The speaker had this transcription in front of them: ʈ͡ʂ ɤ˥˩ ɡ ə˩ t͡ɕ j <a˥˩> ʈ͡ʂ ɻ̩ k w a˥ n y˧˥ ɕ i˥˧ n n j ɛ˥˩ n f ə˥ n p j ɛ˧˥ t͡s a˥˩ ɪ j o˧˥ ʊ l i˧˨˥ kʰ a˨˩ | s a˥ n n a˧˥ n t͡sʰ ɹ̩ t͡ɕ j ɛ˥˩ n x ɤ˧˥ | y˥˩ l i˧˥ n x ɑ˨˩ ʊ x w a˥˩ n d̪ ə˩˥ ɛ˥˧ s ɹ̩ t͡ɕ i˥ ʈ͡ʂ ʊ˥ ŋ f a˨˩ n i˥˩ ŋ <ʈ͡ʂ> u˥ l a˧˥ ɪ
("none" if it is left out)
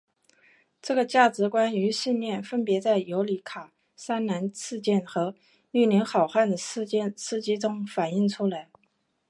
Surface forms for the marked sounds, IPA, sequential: a˥˩, ʈ͡ʂʰ

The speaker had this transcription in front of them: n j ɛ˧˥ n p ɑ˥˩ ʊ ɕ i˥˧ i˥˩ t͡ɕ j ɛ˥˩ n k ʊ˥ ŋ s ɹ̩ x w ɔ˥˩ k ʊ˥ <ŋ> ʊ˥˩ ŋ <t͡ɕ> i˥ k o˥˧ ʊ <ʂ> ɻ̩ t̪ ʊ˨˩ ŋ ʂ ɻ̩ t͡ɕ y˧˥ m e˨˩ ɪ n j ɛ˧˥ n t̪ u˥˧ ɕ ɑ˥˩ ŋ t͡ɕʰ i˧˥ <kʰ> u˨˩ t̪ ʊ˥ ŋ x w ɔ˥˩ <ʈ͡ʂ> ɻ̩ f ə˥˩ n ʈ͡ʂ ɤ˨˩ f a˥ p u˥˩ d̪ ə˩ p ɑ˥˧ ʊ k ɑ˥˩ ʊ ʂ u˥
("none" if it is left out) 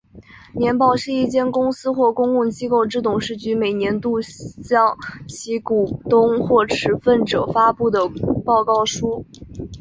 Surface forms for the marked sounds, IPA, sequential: ŋ, t͡ɕ, ʈ͡ʂ, k, ʈ͡ʂʰ

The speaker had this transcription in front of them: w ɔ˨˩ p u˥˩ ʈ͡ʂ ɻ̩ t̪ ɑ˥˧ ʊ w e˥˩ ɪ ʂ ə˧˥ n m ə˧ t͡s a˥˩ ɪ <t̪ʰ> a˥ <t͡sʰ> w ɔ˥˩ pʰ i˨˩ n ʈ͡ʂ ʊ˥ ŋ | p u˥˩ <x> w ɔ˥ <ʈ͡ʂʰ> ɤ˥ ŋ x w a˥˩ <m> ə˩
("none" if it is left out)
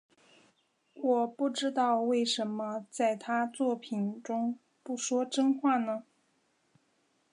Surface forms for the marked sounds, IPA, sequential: t̪ʰ, t͡s, ʂ, ʈ͡ʂ, n

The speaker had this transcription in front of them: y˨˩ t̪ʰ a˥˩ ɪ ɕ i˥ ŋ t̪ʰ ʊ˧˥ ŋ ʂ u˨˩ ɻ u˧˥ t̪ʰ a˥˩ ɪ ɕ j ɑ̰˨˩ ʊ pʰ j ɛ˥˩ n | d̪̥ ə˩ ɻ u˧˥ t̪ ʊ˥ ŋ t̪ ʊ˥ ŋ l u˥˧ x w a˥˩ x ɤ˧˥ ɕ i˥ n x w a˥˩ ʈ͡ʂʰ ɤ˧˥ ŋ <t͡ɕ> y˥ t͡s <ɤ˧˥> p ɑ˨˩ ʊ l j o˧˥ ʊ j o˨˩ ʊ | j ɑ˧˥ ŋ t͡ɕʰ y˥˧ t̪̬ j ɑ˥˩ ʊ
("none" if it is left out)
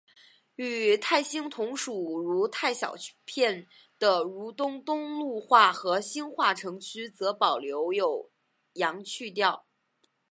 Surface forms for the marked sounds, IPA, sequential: t͡ɕʰ, ɤ˧˥

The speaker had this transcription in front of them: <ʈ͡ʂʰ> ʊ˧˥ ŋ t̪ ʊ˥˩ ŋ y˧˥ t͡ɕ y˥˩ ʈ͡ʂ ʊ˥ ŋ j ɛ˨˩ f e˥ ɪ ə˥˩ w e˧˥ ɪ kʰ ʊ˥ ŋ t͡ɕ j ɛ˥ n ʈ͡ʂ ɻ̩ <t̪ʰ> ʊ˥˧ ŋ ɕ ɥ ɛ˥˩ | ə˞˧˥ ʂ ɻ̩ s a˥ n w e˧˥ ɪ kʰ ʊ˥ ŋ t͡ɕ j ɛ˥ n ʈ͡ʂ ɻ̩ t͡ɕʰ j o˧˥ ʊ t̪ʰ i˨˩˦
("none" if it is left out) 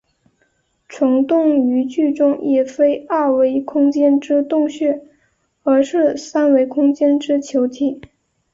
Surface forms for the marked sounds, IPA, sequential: ʈ͡ʂʰ, t̪

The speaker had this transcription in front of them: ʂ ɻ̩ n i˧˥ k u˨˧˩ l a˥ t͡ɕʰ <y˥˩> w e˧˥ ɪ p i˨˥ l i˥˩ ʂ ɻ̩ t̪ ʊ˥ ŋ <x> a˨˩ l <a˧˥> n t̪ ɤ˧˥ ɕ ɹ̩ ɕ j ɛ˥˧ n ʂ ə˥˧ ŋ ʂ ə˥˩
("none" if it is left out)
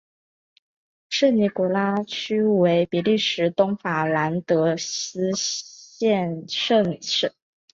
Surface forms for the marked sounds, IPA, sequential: y˥, f, a˧˥

